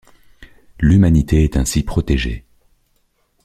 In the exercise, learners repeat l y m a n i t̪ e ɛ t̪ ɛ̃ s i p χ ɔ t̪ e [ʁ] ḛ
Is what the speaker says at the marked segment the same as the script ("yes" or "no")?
no